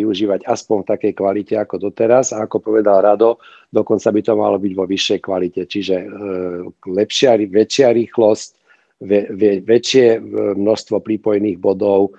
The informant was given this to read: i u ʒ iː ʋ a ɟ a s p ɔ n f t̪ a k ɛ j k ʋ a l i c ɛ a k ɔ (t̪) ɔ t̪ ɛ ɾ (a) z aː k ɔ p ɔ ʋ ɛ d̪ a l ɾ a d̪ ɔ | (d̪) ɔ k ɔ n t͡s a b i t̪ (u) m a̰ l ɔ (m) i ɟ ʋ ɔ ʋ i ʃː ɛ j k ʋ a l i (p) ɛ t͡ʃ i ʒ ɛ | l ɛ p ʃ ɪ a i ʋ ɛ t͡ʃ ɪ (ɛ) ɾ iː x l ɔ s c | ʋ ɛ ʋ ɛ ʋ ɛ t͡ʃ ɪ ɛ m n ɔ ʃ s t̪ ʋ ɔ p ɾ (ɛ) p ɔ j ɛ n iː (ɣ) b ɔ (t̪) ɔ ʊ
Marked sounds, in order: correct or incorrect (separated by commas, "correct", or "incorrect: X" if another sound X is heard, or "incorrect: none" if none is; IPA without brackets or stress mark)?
incorrect: d̪, correct, correct, incorrect: ɔ, incorrect: b, incorrect: c, incorrect: a, incorrect: i, correct, incorrect: d̪